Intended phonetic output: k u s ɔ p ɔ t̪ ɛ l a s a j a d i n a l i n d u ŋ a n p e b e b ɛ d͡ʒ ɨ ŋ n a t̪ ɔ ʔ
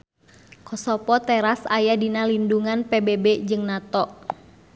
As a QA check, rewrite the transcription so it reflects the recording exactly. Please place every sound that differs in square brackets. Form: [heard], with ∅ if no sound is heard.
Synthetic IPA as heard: k [ɔ] s ɔ p ɔ t̪ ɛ [ɾ] a s a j a d i n a l i n d u ŋ a n p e b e b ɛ d͡ʒ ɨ ŋ n a t̪ ɔ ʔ